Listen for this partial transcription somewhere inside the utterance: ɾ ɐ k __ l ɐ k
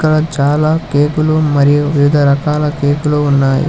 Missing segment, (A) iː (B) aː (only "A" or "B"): B